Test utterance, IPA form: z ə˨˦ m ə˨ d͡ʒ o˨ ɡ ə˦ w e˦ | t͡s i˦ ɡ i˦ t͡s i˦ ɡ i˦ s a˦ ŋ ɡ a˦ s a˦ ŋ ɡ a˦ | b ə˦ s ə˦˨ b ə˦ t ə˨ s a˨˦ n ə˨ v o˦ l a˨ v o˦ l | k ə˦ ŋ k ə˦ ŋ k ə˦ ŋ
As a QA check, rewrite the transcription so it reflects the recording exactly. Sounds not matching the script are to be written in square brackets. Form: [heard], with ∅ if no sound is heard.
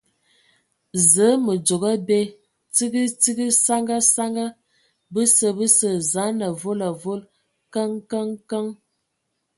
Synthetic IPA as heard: z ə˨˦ m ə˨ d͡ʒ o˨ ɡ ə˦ [b] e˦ | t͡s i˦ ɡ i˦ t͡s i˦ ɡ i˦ s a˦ ŋ ɡ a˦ s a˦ ŋ ɡ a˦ | b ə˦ s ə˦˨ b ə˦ [s] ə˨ [z] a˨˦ n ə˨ v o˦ l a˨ v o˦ l | k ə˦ ŋ k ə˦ ŋ k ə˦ ŋ